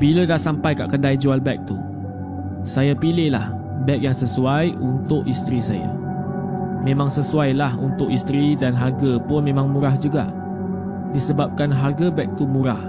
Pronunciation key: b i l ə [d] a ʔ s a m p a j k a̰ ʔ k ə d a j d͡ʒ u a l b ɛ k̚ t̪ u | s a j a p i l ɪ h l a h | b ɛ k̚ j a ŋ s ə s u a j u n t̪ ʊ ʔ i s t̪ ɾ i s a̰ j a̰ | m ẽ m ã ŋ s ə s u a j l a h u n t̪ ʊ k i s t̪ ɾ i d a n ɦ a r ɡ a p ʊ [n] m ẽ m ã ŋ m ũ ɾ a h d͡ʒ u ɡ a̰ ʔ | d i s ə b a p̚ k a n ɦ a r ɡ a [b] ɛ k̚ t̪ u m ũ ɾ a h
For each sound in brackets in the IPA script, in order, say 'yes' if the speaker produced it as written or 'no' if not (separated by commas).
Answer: yes, yes, yes